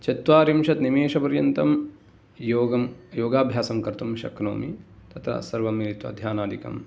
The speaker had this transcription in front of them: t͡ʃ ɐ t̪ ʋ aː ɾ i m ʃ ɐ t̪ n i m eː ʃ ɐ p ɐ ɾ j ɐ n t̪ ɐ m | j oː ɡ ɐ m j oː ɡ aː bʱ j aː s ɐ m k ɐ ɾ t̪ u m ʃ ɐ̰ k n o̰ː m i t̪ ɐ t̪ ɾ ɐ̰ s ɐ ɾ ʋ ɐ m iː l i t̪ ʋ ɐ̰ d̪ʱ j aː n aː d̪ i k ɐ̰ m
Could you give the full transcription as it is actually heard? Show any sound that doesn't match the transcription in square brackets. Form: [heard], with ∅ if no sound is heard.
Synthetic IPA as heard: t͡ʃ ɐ t̪ ʋ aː ɾ i m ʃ ɐ t̪ n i m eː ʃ ɐ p ɐ ɾ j ɐ n t̪ ɐ m | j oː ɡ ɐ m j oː ɡ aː bʱ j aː s ɐ m k ɐ ɾ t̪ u m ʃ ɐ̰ k n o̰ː m i t̪ ɐ t̪ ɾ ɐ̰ s ɐ ɾ ʋ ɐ m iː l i t̪ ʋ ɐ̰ d̪ʱ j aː n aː d̪ i k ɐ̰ m